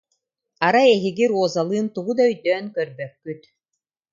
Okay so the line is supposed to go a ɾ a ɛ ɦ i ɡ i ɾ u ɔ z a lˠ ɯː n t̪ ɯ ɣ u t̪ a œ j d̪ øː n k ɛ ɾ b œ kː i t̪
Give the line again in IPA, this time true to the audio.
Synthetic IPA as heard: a ɾ a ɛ ɦ i ɡ i ɾ u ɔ z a lˠ ɯː n t̪ u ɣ u d̪ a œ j d̪ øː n k œ ɾ b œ kː y t̪